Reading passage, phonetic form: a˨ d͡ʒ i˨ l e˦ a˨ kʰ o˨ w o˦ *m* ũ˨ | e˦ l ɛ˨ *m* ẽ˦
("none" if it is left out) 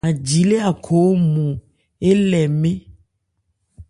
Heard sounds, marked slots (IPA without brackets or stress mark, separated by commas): m, m